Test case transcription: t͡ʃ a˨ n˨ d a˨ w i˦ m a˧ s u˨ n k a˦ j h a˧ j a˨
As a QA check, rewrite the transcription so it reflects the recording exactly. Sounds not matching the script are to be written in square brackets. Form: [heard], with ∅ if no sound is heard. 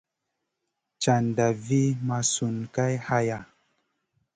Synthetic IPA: t͡ʃ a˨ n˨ d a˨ [v] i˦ m a˧ s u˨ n k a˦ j h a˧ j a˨